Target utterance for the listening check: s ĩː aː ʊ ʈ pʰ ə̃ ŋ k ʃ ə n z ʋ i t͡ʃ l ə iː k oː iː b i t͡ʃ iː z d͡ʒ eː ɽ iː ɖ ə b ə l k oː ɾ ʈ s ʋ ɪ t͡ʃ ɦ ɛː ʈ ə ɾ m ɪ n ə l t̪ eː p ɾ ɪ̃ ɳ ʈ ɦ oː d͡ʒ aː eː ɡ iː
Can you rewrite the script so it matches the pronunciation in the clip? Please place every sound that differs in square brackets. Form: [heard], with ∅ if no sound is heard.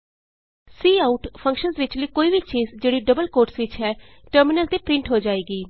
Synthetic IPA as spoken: s [iː] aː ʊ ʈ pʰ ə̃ ŋ k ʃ ə n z ʋ [ɪ] t͡ʃ l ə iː k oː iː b i t͡ʃ iː z d͡ʒ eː ɽ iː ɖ ə b ə l k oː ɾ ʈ s ʋ ɪ t͡ʃ ɦ ɛː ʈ ə ɾ m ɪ n ə l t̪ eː p ɾ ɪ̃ ɳ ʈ ɦ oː d͡ʒ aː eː ɡ iː